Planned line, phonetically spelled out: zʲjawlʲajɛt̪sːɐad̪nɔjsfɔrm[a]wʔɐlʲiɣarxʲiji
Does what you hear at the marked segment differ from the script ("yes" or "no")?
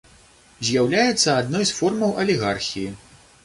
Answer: yes